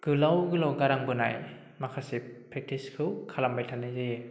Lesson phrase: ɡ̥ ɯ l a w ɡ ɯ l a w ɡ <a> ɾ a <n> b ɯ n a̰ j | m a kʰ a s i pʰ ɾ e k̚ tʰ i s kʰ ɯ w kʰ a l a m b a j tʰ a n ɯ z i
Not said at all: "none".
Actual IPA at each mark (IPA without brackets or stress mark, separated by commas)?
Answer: a, ŋ